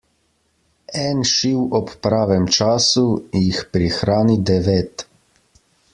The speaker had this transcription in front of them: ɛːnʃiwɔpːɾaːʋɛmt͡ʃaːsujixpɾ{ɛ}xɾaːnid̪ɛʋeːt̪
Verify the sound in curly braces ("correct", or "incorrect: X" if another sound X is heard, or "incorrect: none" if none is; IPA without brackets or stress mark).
incorrect: i